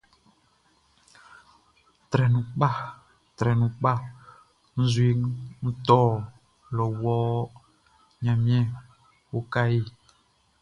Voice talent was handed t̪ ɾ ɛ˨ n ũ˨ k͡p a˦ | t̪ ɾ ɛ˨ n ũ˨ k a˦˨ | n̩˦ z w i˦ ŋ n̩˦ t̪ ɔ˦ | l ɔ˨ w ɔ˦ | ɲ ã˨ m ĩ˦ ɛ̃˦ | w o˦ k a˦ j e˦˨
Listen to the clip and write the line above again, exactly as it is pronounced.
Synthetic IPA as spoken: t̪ ɾ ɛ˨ n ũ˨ k͡p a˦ | t̪ ɾ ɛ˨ n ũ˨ k͡p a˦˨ | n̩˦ z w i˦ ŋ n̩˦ t̪ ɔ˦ | l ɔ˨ w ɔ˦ | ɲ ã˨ m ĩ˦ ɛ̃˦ | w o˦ k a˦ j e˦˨